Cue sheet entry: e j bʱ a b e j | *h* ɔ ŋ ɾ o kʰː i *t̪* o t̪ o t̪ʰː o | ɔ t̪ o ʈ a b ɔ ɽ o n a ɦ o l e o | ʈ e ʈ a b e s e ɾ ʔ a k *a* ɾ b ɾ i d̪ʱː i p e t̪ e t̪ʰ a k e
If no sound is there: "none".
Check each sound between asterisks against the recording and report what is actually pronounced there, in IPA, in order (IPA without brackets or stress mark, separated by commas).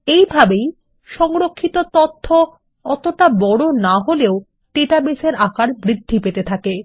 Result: ʃ, t̪, a